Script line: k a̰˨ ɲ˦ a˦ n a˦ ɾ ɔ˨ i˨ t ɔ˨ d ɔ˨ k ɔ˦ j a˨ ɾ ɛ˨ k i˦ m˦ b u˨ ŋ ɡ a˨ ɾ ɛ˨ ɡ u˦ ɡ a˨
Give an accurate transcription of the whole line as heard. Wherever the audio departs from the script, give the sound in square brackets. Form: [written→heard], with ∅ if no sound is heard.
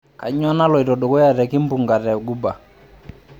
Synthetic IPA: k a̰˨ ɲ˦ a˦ n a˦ [ɾ→l] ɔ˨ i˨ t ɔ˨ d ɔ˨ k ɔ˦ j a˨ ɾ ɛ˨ k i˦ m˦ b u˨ ŋ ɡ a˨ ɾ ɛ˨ ɡ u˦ [ɡ→b] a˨